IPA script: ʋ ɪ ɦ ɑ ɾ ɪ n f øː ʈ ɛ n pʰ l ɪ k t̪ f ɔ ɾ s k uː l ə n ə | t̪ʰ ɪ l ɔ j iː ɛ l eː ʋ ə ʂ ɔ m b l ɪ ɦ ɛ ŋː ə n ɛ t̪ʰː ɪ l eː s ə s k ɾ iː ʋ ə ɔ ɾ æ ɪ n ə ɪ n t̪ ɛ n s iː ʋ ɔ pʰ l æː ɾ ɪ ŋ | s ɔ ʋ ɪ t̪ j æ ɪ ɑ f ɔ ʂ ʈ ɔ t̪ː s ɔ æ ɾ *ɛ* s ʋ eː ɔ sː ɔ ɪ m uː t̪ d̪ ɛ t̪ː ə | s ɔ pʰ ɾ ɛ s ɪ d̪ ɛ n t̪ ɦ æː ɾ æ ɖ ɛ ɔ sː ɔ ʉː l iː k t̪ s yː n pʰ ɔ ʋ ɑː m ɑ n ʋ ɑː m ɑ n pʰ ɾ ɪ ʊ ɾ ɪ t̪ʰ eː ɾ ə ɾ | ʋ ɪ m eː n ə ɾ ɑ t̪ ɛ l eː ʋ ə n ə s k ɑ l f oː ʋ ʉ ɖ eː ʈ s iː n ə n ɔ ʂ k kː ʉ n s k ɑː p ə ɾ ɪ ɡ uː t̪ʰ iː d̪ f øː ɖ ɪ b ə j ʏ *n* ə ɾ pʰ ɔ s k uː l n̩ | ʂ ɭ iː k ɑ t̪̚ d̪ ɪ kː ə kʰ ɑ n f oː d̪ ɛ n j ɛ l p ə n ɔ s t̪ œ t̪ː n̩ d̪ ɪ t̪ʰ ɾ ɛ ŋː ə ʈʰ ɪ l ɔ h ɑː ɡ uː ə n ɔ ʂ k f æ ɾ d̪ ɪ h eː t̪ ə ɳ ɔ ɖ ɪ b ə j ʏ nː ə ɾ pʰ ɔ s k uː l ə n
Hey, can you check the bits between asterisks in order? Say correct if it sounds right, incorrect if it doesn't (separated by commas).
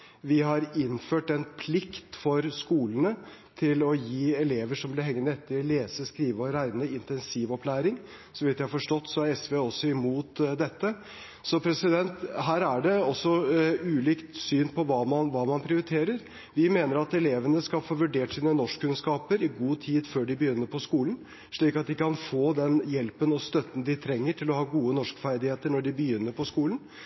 correct, incorrect